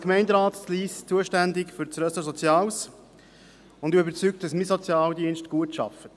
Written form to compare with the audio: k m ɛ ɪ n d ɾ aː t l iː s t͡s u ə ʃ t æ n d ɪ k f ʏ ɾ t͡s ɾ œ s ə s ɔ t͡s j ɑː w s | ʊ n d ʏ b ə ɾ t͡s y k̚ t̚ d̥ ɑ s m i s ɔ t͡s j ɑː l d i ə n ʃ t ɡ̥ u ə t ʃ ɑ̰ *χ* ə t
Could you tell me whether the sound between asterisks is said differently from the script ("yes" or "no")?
yes